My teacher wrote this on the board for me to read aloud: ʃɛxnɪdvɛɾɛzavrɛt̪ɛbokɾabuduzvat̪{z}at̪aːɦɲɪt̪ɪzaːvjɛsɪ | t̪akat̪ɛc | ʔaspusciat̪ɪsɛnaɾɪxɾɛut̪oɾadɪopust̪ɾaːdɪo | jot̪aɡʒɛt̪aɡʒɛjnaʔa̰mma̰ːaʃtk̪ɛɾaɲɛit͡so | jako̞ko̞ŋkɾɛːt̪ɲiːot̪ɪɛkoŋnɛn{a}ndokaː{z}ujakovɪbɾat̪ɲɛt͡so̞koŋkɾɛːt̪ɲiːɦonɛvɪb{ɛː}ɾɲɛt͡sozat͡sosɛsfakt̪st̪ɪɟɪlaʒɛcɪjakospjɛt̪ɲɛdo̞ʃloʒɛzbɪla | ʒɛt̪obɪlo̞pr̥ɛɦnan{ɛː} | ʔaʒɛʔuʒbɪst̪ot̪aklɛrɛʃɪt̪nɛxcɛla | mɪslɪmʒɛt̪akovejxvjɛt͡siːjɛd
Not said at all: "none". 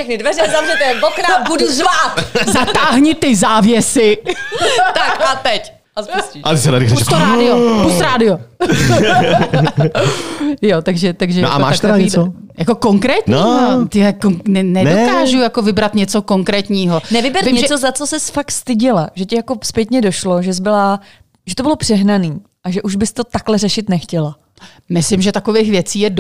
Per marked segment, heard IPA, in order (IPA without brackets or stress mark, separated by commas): z, ɛ, ʒ, ɛ, iː